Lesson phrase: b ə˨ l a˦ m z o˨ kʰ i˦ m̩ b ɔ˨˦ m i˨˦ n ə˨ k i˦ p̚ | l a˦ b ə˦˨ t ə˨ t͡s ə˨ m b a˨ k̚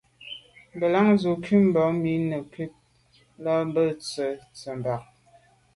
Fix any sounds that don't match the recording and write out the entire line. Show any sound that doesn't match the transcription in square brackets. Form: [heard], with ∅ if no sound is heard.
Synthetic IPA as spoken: b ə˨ l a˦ [ŋ] z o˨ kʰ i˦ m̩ b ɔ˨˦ m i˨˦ n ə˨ k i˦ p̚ | l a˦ b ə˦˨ [t͡s] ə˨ t͡s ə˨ m b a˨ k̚